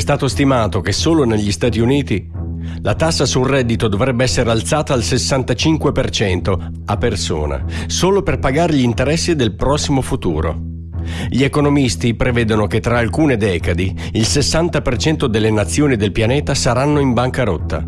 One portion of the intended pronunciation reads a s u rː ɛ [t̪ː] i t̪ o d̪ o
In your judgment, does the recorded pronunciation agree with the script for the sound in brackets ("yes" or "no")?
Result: no